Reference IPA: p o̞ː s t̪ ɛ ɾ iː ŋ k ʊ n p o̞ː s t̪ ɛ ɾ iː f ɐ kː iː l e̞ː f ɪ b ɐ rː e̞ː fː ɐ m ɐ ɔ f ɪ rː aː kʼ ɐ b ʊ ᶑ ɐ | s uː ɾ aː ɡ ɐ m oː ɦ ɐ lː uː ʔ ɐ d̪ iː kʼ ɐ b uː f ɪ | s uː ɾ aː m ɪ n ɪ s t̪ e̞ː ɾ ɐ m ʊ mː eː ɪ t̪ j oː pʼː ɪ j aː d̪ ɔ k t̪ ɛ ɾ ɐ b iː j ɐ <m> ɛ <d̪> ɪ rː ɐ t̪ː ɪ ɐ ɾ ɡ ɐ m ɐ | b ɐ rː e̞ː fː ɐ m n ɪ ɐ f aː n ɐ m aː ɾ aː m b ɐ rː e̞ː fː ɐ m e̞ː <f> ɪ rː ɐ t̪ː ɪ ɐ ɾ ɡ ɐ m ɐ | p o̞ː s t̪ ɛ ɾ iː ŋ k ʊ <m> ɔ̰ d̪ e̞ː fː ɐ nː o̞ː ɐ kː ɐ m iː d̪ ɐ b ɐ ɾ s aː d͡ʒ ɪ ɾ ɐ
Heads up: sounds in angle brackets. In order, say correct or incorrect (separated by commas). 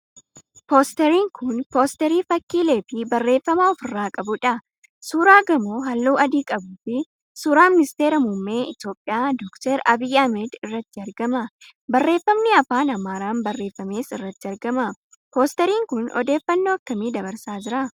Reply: correct, correct, incorrect, incorrect